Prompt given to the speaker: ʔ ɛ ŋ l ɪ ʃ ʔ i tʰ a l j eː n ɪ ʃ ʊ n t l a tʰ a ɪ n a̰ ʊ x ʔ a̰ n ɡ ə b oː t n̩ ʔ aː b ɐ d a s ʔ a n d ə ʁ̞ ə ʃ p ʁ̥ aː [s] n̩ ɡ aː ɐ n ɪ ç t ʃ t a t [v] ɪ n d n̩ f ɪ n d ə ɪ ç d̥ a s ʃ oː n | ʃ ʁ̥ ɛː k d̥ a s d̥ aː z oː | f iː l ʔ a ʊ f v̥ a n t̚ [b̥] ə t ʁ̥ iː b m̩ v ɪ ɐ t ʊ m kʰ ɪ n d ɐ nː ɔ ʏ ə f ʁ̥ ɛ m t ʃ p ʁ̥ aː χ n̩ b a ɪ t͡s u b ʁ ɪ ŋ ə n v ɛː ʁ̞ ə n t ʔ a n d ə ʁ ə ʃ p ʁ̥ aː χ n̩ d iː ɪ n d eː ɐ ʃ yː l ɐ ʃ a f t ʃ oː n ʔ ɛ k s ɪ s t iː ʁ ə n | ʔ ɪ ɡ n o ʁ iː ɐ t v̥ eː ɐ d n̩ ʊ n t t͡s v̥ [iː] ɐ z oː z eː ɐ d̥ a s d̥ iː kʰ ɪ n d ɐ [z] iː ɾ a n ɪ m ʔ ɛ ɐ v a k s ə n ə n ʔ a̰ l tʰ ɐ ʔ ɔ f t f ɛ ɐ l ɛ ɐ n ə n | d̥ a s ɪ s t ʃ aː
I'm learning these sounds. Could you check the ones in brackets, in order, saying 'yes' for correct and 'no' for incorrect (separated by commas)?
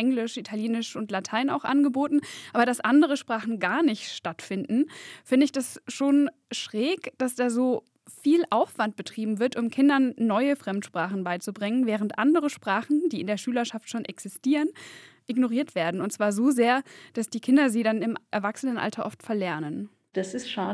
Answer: no, no, yes, no, yes